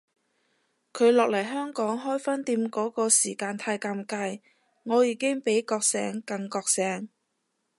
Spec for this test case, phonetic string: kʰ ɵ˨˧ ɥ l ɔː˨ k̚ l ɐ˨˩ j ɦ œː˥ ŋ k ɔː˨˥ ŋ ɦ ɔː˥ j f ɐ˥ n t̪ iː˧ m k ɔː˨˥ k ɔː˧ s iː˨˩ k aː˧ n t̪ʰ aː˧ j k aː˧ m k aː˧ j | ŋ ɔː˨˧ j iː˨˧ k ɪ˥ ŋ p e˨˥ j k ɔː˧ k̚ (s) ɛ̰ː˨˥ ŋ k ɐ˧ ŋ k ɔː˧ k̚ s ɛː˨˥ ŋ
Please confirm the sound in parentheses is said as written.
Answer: yes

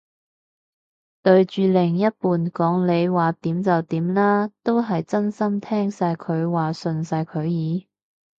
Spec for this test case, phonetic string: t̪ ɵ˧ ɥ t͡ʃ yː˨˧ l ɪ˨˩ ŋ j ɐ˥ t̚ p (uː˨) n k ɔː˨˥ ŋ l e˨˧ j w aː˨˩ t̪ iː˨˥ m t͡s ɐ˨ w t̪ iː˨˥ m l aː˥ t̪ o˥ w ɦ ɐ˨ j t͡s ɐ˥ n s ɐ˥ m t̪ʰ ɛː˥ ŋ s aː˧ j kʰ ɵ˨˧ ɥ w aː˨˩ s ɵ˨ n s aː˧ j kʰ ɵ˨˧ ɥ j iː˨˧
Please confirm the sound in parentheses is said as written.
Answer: yes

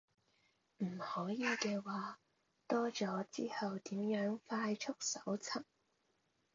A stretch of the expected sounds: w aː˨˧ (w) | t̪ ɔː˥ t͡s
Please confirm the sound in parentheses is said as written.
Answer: no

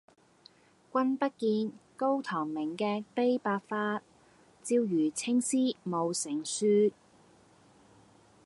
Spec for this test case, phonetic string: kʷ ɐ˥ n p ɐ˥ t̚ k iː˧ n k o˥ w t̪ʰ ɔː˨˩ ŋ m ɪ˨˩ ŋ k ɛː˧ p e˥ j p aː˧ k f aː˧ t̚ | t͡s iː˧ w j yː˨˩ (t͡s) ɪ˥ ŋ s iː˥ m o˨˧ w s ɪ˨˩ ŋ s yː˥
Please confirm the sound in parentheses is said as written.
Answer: no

